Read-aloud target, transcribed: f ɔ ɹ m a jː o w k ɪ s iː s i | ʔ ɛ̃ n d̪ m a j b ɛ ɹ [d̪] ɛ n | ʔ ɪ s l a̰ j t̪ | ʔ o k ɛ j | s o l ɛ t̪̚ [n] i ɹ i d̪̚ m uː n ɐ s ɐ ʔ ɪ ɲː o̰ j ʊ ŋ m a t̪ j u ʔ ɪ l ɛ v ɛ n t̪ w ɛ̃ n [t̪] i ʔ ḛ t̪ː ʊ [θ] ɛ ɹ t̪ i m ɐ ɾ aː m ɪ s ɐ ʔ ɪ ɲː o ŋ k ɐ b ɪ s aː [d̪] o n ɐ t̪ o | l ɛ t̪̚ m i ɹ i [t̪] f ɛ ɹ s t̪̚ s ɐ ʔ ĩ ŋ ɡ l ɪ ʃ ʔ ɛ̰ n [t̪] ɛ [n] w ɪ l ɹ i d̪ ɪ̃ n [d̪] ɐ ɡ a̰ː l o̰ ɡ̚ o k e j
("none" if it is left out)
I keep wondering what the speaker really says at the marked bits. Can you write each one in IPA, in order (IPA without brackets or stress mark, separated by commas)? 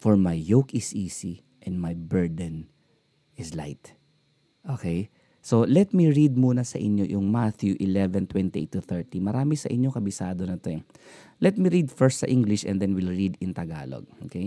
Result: d̪, m, t̪, θ, d̪, d̪, d̪, n, t̪